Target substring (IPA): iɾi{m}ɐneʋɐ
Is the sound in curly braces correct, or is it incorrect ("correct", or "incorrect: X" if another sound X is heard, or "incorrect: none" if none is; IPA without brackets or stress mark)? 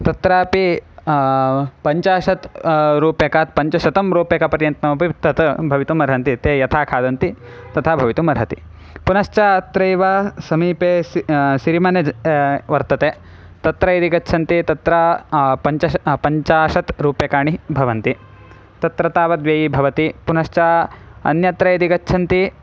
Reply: correct